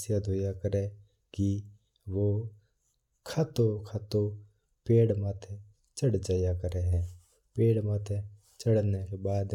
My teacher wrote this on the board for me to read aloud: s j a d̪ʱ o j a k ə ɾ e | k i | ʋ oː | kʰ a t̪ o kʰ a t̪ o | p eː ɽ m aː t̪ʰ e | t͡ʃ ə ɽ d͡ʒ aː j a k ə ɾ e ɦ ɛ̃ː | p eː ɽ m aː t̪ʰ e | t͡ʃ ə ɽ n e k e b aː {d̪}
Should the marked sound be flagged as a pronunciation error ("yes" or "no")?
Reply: no